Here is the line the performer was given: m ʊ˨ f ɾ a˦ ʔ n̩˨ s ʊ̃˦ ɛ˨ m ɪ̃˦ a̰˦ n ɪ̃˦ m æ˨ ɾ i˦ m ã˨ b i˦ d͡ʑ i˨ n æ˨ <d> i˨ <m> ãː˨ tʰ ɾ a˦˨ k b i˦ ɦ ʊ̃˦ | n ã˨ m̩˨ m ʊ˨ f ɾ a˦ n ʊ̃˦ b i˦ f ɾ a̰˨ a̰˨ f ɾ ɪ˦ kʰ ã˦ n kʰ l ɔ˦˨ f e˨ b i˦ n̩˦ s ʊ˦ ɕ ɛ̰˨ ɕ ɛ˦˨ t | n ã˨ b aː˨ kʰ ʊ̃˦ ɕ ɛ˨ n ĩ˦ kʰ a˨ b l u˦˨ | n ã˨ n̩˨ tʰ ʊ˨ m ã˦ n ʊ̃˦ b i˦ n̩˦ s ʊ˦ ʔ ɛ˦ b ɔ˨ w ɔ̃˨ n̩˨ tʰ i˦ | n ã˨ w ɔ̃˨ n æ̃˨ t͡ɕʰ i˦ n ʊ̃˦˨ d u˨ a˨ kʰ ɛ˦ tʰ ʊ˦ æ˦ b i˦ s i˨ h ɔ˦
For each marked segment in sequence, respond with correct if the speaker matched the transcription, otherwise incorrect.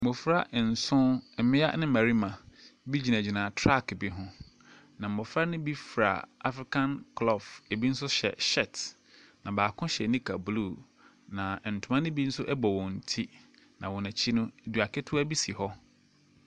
incorrect: d͡ʑ, incorrect: n

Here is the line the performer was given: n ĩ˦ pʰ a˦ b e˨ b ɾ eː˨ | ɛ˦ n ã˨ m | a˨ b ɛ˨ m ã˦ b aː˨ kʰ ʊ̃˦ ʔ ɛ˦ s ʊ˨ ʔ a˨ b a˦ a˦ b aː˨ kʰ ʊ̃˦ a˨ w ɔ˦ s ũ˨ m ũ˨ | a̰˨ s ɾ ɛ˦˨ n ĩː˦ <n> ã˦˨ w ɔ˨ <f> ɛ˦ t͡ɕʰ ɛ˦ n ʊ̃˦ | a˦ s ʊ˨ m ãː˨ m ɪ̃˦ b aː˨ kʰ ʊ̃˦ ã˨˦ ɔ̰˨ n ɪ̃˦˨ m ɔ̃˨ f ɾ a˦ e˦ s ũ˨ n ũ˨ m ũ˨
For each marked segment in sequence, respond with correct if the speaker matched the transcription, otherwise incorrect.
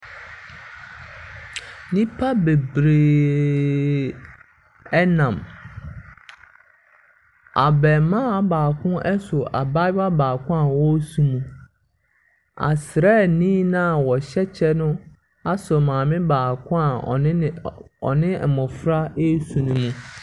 correct, incorrect: ɕ

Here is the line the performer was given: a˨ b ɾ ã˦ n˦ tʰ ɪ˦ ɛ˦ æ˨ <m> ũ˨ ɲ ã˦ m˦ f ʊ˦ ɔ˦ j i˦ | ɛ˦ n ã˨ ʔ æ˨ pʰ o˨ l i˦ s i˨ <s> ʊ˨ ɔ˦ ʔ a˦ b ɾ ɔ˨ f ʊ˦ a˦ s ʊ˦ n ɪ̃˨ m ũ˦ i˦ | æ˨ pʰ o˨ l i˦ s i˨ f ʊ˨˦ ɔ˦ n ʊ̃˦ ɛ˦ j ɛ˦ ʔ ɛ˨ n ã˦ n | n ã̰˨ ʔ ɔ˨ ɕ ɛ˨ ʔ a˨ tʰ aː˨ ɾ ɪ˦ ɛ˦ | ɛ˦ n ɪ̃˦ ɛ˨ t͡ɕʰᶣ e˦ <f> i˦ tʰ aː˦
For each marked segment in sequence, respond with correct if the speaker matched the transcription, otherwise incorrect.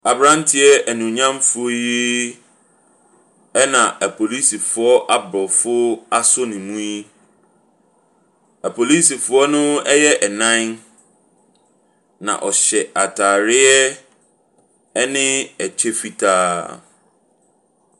incorrect: n, incorrect: f, correct

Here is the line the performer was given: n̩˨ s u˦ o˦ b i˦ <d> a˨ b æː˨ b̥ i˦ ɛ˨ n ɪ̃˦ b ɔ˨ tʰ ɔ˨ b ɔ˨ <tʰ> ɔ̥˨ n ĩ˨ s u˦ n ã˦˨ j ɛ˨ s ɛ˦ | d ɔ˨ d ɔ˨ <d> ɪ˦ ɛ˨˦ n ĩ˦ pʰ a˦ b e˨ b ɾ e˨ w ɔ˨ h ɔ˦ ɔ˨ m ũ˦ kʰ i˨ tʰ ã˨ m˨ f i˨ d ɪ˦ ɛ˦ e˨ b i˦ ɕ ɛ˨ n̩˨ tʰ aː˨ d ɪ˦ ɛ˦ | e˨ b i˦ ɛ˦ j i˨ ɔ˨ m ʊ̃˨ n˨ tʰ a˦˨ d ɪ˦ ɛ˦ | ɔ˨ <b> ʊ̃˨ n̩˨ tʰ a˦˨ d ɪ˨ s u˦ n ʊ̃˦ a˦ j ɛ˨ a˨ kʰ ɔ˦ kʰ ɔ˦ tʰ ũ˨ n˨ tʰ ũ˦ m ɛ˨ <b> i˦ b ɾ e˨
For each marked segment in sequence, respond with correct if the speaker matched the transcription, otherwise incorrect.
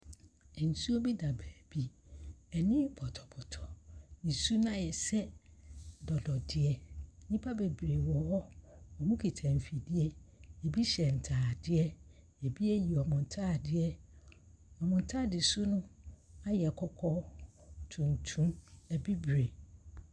correct, correct, correct, incorrect: m, correct

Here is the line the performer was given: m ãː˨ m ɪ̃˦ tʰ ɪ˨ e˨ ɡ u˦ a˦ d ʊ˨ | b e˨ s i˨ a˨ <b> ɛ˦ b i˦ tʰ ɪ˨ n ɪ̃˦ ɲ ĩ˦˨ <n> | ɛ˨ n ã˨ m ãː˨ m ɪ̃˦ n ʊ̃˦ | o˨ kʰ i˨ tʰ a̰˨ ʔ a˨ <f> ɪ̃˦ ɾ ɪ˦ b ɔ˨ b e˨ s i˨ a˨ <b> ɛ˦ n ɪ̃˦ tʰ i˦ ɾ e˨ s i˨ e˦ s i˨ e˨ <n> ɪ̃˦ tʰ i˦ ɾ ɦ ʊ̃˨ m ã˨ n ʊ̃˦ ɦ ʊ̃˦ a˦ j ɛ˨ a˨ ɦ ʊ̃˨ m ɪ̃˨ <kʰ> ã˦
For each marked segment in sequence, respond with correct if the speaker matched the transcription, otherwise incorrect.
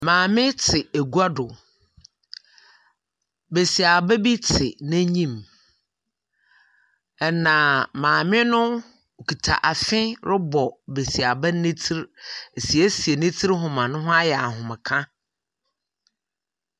correct, incorrect: m, correct, correct, correct, correct

